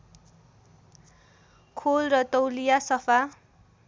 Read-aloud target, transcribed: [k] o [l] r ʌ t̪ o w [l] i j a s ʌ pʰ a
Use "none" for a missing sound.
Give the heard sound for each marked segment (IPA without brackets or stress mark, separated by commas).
kʰ, l, l